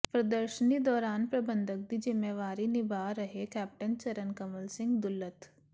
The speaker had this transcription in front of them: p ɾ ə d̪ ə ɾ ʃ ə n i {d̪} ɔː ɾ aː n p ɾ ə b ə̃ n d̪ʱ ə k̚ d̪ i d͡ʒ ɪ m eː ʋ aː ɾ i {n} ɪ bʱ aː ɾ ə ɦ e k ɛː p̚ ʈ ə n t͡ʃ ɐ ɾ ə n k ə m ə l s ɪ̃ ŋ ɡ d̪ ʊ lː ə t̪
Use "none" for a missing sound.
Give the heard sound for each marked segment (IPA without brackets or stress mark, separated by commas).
d̪, n